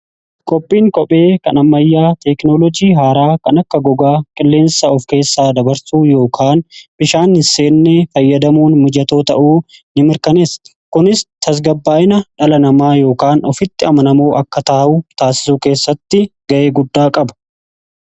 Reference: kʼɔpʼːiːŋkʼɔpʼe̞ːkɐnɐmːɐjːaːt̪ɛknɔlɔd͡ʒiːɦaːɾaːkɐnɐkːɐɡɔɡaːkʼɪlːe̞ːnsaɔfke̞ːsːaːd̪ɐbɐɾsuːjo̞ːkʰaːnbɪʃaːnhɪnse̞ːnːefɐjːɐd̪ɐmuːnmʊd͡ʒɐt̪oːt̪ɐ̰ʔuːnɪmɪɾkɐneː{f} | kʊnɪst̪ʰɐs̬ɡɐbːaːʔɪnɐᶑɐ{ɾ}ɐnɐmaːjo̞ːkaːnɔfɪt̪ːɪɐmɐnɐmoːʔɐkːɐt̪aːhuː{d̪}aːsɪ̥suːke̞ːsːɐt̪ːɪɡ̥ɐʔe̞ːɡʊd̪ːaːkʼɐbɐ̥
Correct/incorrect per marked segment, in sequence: incorrect: s, incorrect: l, incorrect: t̪

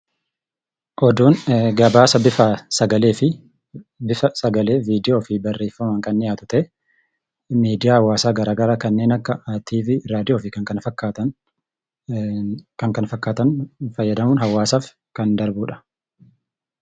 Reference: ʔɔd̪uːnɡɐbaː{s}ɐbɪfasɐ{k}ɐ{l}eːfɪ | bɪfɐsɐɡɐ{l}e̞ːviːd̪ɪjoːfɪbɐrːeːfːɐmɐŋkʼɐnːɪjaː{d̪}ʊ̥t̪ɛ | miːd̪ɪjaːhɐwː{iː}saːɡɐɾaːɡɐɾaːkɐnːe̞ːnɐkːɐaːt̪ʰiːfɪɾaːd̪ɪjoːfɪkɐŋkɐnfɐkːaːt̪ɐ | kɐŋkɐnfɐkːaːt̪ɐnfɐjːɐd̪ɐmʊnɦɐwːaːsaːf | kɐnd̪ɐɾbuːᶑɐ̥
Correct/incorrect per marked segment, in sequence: correct, incorrect: ɡ, correct, correct, incorrect: t̪, incorrect: aː

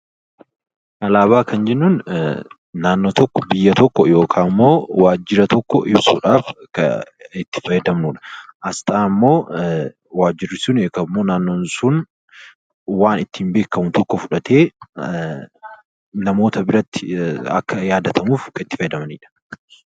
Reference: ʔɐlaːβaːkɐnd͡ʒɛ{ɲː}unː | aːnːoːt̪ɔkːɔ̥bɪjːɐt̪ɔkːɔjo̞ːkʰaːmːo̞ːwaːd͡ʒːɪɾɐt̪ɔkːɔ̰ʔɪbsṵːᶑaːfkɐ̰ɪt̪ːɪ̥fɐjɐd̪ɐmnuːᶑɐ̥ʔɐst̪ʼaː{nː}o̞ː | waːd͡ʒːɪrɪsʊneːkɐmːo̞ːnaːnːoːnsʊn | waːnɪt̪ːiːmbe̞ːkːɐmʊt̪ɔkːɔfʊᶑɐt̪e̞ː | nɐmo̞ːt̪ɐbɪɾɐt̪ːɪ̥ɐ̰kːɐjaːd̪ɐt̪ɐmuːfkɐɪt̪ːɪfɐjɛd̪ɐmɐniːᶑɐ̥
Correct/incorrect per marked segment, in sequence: incorrect: nː, incorrect: mː

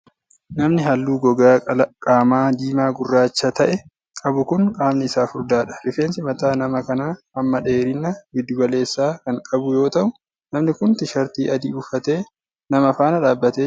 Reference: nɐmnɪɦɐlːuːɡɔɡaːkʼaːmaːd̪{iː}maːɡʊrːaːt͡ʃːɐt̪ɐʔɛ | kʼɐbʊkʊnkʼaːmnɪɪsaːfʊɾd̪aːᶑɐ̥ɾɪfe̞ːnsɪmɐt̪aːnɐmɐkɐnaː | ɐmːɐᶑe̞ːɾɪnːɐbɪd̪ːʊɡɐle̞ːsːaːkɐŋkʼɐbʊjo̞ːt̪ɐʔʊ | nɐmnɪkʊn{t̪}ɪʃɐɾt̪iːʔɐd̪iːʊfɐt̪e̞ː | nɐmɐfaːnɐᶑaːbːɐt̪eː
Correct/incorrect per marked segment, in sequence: correct, correct

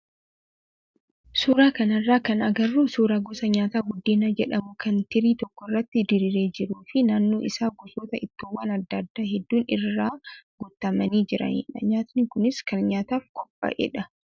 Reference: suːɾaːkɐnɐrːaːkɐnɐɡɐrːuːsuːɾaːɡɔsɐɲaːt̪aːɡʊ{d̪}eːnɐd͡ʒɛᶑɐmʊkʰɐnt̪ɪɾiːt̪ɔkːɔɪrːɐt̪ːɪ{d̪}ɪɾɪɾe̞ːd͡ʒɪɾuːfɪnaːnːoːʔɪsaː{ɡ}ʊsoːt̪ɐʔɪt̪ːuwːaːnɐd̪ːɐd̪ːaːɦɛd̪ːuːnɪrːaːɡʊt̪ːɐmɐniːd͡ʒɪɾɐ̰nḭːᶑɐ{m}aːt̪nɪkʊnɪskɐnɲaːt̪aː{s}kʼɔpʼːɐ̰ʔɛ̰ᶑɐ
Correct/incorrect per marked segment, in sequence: incorrect: d̪ː, correct, correct, incorrect: ɲ, incorrect: f

